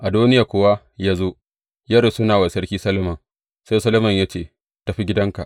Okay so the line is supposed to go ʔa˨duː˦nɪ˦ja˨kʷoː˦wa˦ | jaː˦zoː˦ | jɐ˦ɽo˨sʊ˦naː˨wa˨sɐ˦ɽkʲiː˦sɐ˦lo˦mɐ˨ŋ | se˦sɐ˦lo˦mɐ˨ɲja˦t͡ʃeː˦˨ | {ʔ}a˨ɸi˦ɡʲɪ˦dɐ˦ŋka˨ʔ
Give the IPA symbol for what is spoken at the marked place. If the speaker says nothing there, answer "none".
t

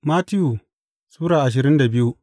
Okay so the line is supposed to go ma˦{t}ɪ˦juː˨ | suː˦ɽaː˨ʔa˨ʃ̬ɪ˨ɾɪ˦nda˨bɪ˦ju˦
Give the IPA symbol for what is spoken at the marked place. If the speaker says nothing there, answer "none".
t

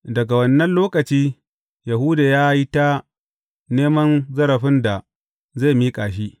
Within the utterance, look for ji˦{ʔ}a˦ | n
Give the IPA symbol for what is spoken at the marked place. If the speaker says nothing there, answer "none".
t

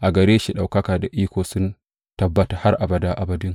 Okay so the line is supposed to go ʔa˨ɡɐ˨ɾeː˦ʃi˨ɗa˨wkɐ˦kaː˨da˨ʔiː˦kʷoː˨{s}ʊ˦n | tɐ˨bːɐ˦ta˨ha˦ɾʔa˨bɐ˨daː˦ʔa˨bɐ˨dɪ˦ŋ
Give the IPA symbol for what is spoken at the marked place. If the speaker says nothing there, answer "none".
s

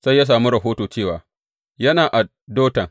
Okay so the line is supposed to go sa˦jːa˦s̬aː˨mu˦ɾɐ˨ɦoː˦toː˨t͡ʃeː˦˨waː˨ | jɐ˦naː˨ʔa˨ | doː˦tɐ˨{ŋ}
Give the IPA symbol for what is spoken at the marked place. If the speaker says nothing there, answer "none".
ŋ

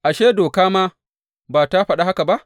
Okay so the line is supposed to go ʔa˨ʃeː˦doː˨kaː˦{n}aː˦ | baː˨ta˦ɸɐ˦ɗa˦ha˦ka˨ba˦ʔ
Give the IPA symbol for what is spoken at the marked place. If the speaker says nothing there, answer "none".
m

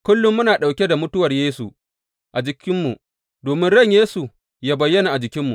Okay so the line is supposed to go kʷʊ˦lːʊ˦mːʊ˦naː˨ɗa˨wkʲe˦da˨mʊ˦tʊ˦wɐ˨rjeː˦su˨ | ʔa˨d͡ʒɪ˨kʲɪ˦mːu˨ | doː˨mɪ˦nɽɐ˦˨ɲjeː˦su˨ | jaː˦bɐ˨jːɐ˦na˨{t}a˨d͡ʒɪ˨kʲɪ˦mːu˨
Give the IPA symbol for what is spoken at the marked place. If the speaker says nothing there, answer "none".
ʔ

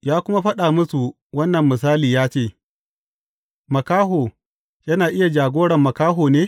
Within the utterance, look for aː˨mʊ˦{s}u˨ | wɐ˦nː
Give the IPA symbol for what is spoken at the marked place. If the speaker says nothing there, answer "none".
s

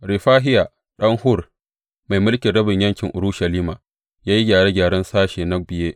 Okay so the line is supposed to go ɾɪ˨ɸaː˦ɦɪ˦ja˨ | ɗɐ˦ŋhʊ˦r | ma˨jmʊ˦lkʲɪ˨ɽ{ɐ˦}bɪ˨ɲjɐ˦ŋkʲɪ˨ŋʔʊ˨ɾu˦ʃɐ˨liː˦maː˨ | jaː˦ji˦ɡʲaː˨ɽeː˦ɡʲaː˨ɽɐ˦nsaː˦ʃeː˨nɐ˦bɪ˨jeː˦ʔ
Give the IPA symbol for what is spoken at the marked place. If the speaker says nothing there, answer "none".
ɐ˦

